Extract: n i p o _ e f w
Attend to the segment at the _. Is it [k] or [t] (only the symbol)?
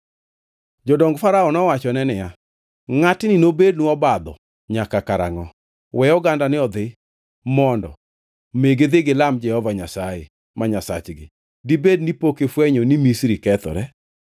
k